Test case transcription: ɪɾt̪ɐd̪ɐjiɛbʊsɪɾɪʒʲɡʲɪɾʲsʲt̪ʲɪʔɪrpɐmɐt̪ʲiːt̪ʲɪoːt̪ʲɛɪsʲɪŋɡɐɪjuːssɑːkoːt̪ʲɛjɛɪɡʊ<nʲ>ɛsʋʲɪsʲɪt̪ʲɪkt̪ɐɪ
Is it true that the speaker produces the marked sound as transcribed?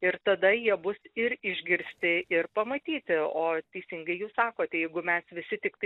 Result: no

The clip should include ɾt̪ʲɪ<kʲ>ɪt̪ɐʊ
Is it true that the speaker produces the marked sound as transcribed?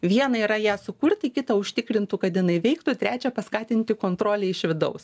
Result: yes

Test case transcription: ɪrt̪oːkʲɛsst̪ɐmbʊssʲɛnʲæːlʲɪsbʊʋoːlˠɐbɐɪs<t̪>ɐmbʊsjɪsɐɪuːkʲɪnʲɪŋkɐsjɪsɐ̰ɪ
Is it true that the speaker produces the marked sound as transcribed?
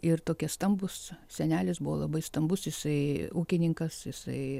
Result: yes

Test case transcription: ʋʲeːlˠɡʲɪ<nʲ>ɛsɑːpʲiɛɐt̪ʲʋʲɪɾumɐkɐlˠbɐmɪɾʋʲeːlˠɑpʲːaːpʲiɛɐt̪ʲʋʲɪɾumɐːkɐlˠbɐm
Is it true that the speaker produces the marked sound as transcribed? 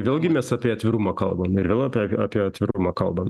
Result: no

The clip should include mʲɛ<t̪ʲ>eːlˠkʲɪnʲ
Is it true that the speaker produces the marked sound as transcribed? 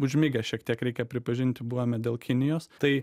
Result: no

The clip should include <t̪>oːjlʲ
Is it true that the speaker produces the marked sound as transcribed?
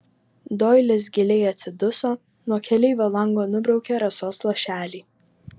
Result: no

